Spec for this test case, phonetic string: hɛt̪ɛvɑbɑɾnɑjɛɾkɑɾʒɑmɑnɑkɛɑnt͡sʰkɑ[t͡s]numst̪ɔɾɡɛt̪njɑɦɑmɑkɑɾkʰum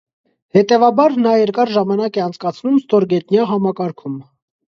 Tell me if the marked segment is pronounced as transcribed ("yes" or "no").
no